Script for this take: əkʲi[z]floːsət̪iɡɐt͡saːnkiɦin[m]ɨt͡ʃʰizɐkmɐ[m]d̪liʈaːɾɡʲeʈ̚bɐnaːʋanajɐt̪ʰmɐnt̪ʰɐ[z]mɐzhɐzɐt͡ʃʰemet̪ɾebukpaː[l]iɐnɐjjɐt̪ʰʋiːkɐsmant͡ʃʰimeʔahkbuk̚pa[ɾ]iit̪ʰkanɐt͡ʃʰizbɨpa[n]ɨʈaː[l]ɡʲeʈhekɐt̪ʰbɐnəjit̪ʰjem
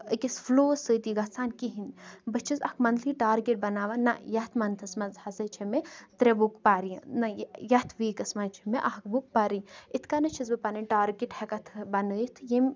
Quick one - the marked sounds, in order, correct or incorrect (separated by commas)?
incorrect, incorrect, incorrect, incorrect, incorrect, correct, correct, incorrect